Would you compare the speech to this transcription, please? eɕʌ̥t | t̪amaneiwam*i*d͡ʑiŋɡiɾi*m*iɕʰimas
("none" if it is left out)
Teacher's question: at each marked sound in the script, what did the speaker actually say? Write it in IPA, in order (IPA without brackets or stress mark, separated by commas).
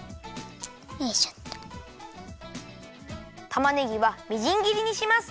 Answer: i, ɲ